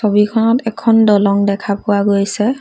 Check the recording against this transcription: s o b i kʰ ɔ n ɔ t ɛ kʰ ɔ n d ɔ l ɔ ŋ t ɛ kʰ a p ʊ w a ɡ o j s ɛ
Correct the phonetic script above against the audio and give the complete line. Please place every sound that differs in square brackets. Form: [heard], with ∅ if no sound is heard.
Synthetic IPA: s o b i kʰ ɔ n ɔ t ɛ kʰ ɔ n d ɔ l ɔ ŋ [d] ɛ kʰ a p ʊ w a ɡ o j s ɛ